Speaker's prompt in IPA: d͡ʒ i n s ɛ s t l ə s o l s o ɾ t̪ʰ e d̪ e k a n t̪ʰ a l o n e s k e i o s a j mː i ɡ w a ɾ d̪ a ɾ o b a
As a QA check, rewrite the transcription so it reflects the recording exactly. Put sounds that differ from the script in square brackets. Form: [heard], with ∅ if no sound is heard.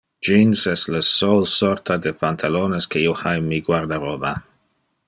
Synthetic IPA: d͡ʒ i n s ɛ s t l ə s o l s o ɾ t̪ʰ [a] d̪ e [p] a n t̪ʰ a l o n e s k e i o [h] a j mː i ɡ w a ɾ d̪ a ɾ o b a

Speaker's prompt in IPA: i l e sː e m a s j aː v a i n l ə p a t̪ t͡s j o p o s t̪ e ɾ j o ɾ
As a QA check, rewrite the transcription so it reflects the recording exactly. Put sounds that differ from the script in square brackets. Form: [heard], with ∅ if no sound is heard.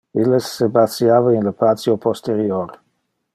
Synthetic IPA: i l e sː e [b] a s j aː v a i n l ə p a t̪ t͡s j o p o s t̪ e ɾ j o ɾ

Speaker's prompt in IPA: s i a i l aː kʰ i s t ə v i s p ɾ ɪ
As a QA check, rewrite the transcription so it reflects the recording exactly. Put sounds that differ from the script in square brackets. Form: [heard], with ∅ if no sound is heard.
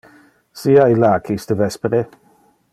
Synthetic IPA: s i a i l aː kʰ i s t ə v [ɛ] s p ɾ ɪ

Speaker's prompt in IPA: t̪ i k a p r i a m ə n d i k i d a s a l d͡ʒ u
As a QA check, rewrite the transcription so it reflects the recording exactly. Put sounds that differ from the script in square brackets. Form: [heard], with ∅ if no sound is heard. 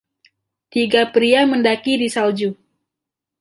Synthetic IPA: t̪ i [ɡ] a p [ɾ] i a m ə n d [a] k i d [i] s a l d͡ʒ u

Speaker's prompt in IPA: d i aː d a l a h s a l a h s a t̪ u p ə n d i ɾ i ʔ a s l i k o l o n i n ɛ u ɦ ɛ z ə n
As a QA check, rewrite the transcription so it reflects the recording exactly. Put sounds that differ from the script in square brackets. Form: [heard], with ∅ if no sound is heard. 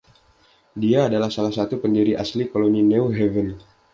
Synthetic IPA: d i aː d a l a h s a l a h s a t̪ u p ə n d i ɾ i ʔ a s l i k o l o n i n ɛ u ɦ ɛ [v] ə n

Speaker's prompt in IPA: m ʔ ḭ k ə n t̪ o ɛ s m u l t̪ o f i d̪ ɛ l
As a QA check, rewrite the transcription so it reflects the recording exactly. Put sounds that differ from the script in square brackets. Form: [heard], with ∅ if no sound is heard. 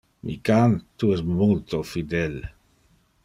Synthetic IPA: m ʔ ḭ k [a] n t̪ [u] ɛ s m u l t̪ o f i d̪ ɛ l

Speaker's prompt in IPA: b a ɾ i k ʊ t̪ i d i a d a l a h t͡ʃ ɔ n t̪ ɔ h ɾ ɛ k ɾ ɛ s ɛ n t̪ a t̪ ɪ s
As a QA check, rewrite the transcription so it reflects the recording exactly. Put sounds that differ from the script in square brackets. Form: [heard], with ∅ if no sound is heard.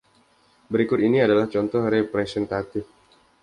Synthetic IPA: b [ə] ɾ i k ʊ t̪ i [n] i a d a l a h t͡ʃ ɔ n t̪ ɔ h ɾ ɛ [p] ɾ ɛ s ɛ n t̪ a t̪ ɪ [f]

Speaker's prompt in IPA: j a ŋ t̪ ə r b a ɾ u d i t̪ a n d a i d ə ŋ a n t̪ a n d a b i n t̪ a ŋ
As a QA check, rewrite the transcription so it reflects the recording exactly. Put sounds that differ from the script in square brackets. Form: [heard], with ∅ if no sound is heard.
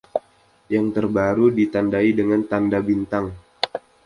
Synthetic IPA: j a ŋ t̪ ə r b a ɾ u d i t̪ a n d a i d ə ŋ a n t̪ a n d a b i n t̪ a ŋ

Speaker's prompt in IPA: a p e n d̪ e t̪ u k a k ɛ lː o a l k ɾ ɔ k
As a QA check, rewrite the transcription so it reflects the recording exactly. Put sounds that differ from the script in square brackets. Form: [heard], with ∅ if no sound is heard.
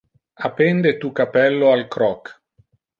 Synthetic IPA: a p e n d̪ e t̪ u k a [p] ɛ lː o a l k ɾ ɔ k

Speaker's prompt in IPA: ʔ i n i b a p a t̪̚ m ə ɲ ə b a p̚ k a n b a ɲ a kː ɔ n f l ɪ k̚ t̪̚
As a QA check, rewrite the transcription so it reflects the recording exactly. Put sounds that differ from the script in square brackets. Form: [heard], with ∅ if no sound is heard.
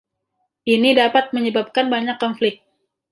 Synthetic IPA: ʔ i n i [d] a p a t̪̚ m ə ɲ ə b a p̚ k a n b a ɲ a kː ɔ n f l ɪ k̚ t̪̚

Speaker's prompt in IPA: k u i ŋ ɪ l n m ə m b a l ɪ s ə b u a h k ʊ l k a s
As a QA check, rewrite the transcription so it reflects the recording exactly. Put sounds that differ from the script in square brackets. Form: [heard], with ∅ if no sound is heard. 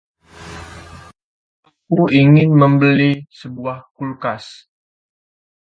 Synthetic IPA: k u i ŋ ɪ [∅] n m ə m b [ə] l [i] s ə b u a h k [u] l k a s

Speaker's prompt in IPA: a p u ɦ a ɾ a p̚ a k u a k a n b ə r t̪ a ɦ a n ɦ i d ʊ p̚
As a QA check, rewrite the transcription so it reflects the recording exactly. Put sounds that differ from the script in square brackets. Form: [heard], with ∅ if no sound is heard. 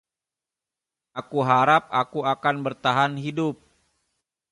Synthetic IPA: a [k] u ɦ a ɾ a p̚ a k u a k a n b ə r t̪ a ɦ a n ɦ i d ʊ p̚

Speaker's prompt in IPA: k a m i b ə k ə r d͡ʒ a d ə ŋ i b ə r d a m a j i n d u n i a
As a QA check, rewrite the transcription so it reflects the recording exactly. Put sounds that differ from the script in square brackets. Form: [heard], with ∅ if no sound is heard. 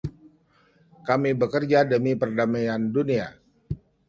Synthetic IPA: k a m i b ə k ə r d͡ʒ a d ə [m] i [p] ə r d a m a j [a] n d u n i a

